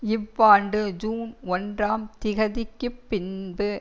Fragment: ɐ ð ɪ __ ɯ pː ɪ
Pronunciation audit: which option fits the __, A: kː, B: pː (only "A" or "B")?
A